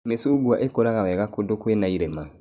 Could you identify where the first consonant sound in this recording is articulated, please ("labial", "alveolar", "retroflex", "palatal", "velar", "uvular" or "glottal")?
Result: labial